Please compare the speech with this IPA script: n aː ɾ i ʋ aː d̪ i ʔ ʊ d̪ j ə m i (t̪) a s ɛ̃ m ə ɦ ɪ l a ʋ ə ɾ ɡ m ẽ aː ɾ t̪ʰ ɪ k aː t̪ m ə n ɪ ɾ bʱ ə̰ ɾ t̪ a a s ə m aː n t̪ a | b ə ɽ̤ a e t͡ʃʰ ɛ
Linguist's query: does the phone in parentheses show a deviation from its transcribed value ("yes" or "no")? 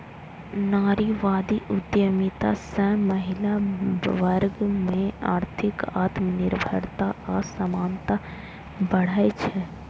no